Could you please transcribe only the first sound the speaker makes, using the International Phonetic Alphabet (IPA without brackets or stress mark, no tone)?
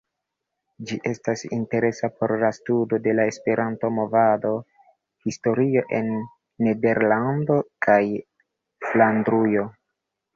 d͡ʒ